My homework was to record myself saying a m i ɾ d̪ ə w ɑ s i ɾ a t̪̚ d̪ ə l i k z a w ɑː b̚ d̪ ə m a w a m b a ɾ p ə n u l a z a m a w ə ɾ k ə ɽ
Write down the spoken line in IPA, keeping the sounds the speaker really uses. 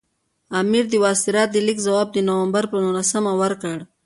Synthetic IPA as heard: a m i ɾ d̪ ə w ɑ s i ɾ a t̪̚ d̪ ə l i k z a w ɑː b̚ d̪ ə n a w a m b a ɾ p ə n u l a s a m a w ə ɾ k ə ɽ